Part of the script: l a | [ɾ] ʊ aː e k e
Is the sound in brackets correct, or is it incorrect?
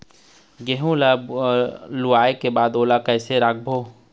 incorrect